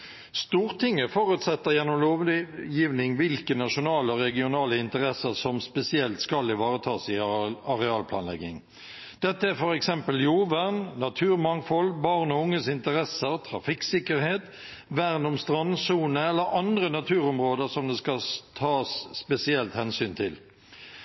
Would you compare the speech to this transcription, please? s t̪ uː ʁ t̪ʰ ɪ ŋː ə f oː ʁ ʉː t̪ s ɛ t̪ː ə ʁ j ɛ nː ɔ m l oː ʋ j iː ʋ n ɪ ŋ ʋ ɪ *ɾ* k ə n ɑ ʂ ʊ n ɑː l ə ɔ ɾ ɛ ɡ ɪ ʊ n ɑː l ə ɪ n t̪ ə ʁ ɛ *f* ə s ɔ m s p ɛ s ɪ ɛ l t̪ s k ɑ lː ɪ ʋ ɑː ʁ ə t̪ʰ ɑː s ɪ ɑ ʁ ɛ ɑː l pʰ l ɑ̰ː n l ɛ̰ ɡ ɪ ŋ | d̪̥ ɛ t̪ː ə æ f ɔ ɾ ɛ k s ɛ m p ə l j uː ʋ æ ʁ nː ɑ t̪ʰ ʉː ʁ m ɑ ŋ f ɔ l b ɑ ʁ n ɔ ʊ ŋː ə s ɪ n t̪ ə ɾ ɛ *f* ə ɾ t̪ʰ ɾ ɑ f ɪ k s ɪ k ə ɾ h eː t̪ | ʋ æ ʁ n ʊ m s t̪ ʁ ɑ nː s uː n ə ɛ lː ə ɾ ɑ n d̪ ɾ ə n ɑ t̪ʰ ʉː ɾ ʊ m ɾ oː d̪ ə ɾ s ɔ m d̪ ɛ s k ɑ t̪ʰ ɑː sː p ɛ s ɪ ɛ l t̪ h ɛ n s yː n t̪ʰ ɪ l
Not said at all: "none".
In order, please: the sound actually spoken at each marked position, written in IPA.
l, s, s

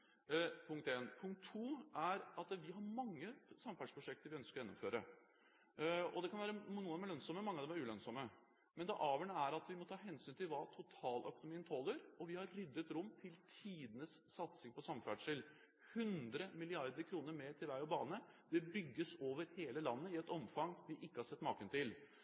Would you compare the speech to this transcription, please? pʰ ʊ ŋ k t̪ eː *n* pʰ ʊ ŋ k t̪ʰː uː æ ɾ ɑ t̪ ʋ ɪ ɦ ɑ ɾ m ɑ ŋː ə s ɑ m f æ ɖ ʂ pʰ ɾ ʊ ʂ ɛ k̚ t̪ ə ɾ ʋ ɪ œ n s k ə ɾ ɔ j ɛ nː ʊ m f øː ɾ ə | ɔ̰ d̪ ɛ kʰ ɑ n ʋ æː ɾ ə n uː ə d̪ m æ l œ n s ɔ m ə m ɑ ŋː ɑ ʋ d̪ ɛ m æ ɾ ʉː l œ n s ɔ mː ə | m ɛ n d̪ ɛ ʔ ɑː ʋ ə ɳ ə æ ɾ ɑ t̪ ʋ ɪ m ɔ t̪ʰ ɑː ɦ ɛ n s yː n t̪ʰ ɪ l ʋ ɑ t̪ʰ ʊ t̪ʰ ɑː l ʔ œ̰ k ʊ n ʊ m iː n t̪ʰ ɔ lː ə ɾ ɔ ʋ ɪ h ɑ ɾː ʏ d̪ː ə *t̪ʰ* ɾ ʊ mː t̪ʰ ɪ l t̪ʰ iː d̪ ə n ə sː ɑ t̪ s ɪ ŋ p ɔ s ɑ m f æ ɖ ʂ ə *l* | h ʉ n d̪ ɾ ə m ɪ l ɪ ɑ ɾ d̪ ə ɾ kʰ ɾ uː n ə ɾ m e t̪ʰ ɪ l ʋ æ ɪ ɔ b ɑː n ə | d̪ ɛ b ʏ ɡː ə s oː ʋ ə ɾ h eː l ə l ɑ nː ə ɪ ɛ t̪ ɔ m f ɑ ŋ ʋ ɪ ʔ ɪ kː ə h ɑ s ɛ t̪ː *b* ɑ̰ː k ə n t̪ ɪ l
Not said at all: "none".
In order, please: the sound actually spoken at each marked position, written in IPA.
n, t̪, l, m

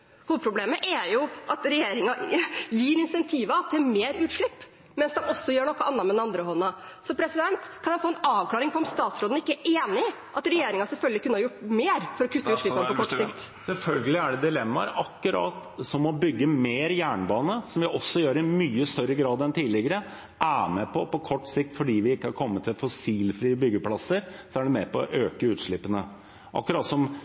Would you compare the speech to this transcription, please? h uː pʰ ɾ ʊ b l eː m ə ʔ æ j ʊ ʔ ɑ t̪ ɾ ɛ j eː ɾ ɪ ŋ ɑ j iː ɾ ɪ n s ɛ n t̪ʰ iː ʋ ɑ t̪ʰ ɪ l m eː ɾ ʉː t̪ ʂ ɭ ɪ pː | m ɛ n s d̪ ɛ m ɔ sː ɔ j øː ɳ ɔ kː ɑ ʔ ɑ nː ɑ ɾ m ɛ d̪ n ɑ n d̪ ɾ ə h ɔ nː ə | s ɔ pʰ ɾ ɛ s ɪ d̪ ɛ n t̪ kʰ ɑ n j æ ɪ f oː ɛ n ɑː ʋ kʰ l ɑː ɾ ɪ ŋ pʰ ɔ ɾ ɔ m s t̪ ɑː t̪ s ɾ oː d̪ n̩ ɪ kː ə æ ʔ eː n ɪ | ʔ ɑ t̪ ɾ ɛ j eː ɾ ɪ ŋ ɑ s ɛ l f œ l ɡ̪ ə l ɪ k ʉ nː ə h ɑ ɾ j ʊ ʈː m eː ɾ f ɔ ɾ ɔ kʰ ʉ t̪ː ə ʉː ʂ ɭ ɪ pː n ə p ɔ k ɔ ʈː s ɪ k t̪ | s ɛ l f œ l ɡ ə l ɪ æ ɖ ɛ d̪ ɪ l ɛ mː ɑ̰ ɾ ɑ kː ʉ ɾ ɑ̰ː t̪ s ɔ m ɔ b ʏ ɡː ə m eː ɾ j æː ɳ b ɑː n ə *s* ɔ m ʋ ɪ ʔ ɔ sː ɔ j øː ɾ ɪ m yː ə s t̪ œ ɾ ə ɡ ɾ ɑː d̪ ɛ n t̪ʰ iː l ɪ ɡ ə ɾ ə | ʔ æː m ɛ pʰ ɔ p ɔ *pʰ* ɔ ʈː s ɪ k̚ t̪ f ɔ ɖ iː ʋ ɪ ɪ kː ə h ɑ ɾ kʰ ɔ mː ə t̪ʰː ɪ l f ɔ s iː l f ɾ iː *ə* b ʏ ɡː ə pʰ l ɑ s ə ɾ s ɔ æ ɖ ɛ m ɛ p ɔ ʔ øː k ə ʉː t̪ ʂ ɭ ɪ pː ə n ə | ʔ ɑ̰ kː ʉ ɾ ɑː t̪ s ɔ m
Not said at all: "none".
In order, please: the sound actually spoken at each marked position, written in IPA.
s, kʰ, ə

